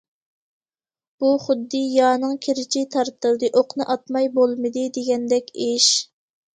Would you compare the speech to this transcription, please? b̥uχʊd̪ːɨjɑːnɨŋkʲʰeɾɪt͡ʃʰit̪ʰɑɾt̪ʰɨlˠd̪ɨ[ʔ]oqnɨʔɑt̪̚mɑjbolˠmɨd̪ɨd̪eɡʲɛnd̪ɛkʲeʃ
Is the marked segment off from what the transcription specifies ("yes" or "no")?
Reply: no